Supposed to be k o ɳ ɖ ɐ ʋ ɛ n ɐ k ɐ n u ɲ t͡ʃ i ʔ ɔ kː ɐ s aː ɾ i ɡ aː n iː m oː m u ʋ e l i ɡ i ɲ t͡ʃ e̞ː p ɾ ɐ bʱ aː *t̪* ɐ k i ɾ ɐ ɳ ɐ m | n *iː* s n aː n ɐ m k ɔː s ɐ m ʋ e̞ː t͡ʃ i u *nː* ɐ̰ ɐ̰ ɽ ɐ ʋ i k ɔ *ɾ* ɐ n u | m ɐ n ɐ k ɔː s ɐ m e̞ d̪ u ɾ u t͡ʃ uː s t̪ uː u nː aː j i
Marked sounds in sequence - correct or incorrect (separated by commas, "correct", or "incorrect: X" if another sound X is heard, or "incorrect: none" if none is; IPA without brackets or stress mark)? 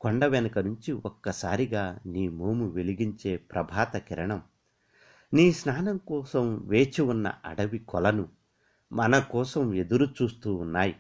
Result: correct, correct, correct, incorrect: l